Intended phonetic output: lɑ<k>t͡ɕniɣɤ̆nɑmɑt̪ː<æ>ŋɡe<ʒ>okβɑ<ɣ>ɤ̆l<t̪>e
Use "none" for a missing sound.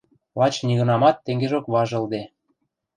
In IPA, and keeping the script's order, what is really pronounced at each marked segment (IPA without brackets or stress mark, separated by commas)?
none, e, ʒ, ʒ, d̪